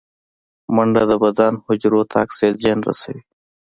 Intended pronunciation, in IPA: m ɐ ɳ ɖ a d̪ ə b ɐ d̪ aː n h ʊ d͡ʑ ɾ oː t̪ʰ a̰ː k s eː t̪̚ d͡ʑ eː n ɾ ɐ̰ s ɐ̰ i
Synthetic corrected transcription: m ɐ ɳ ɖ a d̪ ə b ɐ d̪ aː n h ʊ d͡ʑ ɾ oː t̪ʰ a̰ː k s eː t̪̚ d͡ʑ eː n ɾ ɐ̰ s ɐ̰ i